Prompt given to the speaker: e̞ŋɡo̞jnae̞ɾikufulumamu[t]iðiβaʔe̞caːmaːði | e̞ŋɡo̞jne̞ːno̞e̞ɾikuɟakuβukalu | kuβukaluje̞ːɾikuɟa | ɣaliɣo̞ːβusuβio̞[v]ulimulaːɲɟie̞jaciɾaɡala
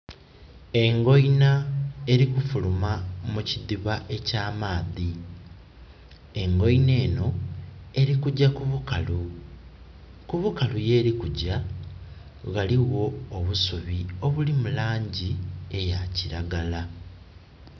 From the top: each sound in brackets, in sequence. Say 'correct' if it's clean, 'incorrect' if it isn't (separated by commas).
incorrect, incorrect